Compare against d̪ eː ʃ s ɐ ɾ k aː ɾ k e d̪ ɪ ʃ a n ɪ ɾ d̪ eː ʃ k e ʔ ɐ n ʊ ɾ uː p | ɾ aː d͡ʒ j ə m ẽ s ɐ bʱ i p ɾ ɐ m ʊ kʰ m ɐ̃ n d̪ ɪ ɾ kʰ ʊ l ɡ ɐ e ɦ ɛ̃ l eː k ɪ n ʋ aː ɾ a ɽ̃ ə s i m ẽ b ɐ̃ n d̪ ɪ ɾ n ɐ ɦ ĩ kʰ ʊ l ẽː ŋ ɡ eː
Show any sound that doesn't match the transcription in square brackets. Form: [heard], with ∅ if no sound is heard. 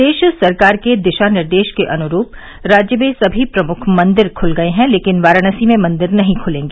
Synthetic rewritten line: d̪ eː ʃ s ɐ ɾ k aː ɾ k e d̪ ɪ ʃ a n ɪ ɾ d̪ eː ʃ k e ʔ ɐ n ʊ ɾ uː p | ɾ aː d͡ʒ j ə m ẽ s ɐ bʱ i p ɾ ɐ m ʊ kʰ m ɐ̃ n d̪ ɪ ɾ kʰ ʊ l ɡ ɐ e ɦ ɛ̃ l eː k ɪ n ʋ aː ɾ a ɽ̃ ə s i m ẽ [m] ɐ̃ n d̪ ɪ ɾ n ɐ ɦ ĩ kʰ ʊ l ẽː ŋ ɡ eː

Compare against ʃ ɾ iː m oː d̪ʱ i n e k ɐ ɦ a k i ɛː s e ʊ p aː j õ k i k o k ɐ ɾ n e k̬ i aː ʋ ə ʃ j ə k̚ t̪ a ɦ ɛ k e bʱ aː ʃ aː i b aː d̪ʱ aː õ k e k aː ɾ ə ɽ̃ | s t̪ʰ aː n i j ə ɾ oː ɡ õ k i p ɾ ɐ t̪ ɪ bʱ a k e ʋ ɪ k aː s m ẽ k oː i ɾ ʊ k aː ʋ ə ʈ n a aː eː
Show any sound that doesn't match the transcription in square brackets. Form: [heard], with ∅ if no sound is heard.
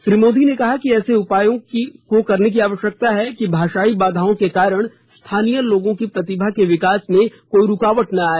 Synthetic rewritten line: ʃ ɾ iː m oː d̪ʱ i n e k ɐ ɦ a k i ɛː s e ʊ p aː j õ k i k o k ɐ ɾ n e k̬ i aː ʋ ə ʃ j ə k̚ t̪ a ɦ ɛ k [i] bʱ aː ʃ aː i b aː d̪ʱ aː õ k e k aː ɾ ə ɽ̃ | s t̪ʰ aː n i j ə [l] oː ɡ õ k i p ɾ ɐ t̪ ɪ bʱ a k e ʋ ɪ k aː s m ẽ k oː i ɾ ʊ k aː ʋ ə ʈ n a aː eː

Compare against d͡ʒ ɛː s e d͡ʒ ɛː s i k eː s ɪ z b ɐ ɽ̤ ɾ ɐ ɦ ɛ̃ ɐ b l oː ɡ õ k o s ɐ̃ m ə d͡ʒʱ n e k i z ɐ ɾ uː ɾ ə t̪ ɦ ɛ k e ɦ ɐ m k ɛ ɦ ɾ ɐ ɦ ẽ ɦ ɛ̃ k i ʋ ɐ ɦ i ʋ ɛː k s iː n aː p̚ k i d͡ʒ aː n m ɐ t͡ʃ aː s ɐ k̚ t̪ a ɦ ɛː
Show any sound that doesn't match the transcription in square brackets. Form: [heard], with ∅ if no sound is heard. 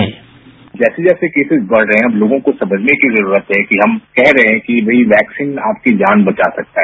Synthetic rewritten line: d͡ʒ ɛː s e d͡ʒ ɛː s [e] k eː s ɪ z b ɐ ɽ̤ ɾ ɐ ɦ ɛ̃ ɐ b l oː ɡ õ k o s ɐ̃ m ə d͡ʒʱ n e k i z ɐ ɾ uː ɾ ə t̪ ɦ ɛ k [i] ɦ ɐ m k ɛ ɦ ɾ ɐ ɦ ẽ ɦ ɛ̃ k i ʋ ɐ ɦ i ʋ ɛː k s iː n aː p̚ k i d͡ʒ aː n [b] ɐ t͡ʃ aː s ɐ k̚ t̪ a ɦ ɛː

